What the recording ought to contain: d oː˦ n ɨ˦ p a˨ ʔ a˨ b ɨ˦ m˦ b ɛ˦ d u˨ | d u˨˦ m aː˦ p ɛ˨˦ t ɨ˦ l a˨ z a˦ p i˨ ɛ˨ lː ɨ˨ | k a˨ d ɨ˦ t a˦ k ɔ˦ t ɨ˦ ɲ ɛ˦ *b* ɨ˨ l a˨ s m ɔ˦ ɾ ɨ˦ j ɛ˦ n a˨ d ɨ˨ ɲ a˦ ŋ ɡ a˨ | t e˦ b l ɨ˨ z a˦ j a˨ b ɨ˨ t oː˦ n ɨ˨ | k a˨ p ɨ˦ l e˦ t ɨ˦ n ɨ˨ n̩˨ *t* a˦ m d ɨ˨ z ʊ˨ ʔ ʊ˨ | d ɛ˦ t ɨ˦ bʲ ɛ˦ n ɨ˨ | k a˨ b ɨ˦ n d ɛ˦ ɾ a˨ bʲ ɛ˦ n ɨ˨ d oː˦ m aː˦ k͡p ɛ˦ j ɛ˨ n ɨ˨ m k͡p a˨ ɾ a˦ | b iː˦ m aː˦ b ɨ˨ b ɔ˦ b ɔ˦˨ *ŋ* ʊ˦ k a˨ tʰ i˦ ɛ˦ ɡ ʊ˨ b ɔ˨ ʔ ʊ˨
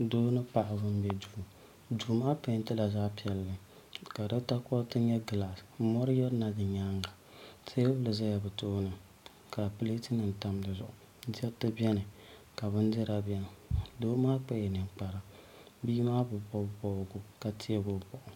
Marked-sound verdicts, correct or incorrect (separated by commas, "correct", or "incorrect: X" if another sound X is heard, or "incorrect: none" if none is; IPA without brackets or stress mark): incorrect: ɡ, correct, incorrect: ɡ